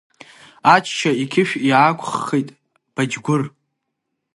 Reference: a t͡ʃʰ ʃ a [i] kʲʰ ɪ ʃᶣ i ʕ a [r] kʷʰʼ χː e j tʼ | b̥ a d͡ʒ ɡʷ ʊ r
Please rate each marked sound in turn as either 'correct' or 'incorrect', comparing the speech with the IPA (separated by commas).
correct, incorrect